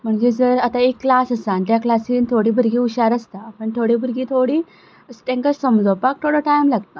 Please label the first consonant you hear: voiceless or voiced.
voiced